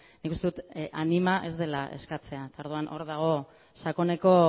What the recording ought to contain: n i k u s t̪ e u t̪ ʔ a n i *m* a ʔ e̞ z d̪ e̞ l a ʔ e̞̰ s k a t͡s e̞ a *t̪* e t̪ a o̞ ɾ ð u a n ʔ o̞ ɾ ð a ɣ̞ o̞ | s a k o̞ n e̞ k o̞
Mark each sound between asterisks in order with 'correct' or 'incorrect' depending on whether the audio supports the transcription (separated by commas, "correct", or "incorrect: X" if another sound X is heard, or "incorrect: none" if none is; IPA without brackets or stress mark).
correct, incorrect: none